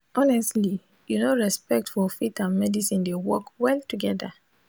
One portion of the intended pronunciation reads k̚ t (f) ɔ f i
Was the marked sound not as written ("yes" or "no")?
no